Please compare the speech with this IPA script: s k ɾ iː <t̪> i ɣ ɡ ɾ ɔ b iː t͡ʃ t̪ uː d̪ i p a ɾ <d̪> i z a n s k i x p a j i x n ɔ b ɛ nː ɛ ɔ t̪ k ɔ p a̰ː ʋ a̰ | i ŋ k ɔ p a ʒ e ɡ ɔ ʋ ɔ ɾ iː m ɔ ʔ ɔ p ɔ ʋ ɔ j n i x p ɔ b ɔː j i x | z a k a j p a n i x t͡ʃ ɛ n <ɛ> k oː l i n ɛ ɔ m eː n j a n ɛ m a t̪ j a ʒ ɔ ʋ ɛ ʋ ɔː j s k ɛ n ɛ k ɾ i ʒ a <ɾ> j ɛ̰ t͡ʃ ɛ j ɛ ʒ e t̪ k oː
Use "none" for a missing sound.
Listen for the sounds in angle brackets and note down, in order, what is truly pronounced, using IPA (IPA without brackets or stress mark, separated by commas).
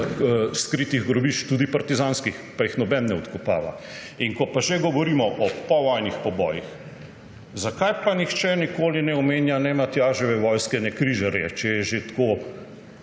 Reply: t̪, t̪, i, ɾ